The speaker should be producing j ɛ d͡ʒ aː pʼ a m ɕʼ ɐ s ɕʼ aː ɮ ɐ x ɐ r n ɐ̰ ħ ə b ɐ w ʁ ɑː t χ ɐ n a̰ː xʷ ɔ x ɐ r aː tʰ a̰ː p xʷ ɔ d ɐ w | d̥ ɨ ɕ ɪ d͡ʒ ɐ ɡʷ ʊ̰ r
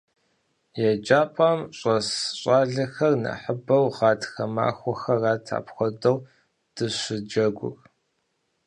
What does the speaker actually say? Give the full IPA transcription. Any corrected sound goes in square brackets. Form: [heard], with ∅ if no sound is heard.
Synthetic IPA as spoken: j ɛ d͡ʒ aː pʼ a m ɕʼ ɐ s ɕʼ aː ɮ ɐ x ɐ r n ɐ̰ ħ ə b ɐ w ʁ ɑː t [x] ɐ [m] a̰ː xʷ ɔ x ɐ r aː tʰ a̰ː p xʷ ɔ d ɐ w | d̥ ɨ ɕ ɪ d͡ʒ ɐ ɡʷ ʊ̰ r